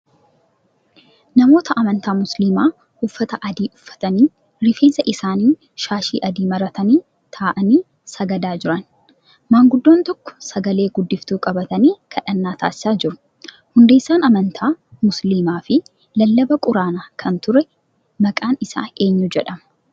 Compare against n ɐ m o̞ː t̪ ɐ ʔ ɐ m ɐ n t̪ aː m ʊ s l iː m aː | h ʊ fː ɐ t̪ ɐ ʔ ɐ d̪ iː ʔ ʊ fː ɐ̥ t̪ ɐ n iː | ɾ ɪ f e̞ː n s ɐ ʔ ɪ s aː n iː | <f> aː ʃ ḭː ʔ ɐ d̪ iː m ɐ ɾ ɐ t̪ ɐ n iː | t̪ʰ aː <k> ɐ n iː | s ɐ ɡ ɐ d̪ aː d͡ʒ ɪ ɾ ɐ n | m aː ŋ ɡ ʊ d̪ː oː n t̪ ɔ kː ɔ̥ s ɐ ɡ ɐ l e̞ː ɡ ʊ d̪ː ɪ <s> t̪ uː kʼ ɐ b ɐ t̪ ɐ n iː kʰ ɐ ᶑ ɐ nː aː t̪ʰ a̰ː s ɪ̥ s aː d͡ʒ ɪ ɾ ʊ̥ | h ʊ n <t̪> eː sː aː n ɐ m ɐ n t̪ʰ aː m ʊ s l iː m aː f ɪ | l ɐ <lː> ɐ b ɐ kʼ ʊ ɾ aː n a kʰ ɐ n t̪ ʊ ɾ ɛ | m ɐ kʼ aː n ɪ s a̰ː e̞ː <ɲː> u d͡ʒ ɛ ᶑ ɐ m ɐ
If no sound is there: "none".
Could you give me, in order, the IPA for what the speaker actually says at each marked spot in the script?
ʃ, ʔ, f, d̪, lː, ɲː

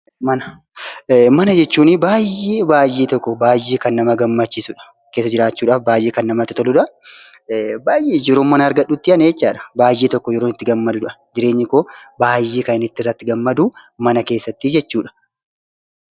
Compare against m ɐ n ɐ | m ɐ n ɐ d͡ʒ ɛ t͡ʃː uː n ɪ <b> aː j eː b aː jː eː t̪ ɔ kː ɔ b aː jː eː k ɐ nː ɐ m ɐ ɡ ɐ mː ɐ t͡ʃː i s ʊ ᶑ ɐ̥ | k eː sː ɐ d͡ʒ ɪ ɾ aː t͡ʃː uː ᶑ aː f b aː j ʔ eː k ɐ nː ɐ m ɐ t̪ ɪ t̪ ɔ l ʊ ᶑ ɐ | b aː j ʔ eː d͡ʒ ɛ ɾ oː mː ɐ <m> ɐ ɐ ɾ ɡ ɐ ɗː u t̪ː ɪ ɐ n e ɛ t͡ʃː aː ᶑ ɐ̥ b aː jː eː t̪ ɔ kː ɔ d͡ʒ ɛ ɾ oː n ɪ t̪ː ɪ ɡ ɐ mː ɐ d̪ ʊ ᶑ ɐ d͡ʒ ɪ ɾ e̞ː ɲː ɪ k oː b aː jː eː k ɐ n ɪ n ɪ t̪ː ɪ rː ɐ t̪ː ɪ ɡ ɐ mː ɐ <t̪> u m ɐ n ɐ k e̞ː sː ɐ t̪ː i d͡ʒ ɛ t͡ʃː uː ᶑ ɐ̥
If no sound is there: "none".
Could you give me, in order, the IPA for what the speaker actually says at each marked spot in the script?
b, n, d̪

